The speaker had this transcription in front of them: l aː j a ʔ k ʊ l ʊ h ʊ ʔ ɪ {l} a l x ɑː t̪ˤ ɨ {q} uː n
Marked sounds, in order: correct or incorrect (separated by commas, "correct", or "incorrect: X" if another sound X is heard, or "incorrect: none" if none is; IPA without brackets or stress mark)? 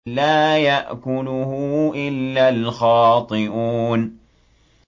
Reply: incorrect: lː, incorrect: ʔ